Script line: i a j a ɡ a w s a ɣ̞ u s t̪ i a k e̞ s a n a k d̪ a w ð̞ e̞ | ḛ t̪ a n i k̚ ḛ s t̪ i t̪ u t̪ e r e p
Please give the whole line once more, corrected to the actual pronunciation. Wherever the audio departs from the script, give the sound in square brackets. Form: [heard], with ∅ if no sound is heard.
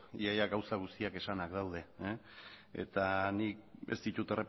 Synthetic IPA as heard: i a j a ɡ a w s a ɣ̞ u s t̪ i a k e̞ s a n a k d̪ a w ð̞ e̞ | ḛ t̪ a n i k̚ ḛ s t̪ i t̪ u t̪ e r e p